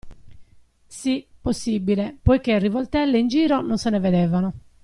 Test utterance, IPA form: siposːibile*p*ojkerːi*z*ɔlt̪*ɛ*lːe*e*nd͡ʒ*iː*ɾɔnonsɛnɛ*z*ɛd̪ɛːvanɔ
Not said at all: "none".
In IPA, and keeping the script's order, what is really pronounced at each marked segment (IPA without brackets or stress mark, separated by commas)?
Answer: p, v, ɛ, i, iː, v